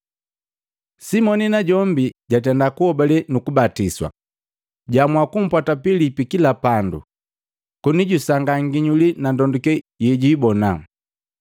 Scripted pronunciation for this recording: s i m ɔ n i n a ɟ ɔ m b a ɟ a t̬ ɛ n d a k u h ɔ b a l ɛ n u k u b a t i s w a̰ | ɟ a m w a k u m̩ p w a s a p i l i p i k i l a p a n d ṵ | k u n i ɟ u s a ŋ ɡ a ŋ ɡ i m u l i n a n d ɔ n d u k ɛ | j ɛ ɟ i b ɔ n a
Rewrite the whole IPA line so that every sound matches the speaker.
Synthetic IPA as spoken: s i m ɔ n i n a ɟ ɔ m b i ɟ a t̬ ɛ n d a k u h ɔ b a l ɛ n u k u b a t i s w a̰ | ɟ a m w a k u m̩ p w a t a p i l i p i k i l a p a n d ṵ | k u n i ɟ u s a ŋ ɡ a ŋ ɡ i ɲ u l i n a n d ɔ n d u k ɛ | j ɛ ɟ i b ɔ n a

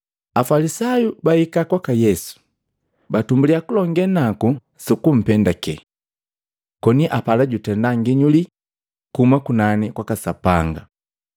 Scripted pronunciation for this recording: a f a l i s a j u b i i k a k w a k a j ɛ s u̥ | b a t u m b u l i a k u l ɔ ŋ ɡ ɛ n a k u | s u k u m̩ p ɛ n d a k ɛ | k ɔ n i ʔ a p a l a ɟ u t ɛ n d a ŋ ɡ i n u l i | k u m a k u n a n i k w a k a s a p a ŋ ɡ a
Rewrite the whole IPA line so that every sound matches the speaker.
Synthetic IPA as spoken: a f a l i s a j u b a i k a k w a k a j ɛ s u̥ | b a t u m b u l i a k u l ɔ ŋ ɡ ɛ n a k u | s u k u m̩ p ɛ n d a k ɛ | k ɔ n i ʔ a p a l a ɟ u t ɛ n d a ŋ ɡ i ɲ u l i | k u m a k u n a n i k w a k a s a p a ŋ ɡ a

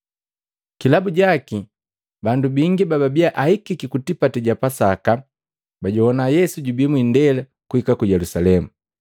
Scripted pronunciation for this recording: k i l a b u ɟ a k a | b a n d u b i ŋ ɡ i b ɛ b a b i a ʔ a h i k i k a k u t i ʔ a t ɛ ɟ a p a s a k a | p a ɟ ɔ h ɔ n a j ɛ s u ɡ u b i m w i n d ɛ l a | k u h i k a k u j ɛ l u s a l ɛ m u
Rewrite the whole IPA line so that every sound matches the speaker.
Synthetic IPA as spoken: k i l a b u ɟ a k i | b a n d u b i ŋ ɡ i b a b a b i a ʔ a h i k i k i k u t i p a t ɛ ɟ a p a s a k a | b a ɟ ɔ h ɔ n a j ɛ s u ɟ u b i m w i n d ɛ l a | k u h i k a k u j ɛ l u s a l ɛ m u

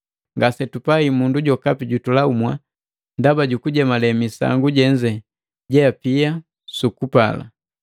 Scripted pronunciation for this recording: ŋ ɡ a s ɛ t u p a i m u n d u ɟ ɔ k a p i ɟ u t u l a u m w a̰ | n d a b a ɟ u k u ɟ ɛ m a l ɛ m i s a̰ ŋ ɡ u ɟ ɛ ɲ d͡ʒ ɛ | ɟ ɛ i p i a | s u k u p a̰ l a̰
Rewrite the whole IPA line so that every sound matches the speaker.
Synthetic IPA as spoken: ŋ ɡ a s ɛ t u p a i m u n d u ɟ ɔ k a p i ɟ u t u l a u m w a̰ | n d a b a ɟ u k u ɟ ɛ m a l ɛ m i s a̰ ŋ ɡ u ɟ ɛ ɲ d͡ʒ ɛ | ɟ ɛ a p i a | s u k u p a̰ l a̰

